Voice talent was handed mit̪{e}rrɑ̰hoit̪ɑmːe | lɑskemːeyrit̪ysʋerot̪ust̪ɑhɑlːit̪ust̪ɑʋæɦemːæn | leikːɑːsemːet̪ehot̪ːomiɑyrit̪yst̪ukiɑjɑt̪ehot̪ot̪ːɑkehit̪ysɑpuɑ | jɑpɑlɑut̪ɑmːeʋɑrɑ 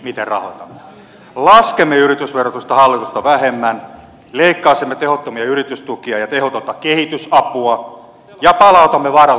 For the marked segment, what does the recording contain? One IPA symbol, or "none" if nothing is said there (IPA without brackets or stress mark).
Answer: e